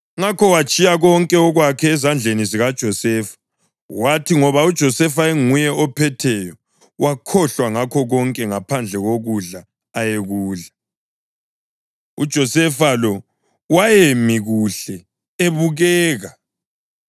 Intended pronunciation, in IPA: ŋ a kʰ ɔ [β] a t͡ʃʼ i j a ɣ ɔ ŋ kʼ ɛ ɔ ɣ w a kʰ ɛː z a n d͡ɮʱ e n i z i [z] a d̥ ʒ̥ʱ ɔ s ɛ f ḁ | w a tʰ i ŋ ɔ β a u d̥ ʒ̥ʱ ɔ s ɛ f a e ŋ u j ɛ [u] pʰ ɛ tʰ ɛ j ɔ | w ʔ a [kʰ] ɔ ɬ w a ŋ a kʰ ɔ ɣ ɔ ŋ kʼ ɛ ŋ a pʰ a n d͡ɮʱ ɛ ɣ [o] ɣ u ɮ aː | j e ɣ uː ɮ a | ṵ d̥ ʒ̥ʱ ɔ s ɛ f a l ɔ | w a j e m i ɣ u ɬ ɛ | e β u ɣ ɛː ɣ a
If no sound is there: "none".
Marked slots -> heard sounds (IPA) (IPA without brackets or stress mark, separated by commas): w, ɣ, ɔ, kʰ, o